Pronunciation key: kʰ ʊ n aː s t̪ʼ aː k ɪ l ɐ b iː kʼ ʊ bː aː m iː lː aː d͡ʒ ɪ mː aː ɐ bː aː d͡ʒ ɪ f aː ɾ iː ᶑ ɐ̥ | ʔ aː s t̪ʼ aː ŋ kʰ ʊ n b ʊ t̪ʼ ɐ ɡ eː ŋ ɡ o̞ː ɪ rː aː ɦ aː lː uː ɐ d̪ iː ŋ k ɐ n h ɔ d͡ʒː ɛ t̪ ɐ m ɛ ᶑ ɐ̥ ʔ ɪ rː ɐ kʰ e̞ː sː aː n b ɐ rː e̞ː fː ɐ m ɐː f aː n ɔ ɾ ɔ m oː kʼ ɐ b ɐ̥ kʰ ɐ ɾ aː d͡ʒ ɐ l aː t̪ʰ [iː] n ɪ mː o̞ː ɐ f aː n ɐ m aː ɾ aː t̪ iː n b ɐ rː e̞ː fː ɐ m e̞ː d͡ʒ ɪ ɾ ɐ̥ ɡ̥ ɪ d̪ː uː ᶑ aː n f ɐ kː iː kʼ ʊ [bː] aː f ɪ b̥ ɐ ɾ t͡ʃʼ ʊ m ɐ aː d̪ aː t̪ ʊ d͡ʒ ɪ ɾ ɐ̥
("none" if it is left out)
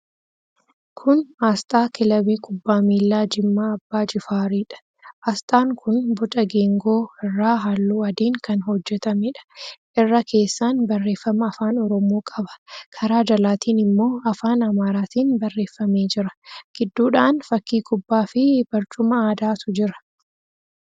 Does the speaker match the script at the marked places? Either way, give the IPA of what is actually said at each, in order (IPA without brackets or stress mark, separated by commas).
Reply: iː, bː